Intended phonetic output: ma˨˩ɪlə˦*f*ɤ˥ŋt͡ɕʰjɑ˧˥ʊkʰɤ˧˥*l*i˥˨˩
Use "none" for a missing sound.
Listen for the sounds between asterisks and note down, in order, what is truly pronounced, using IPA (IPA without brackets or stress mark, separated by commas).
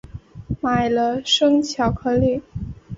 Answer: ʂ, l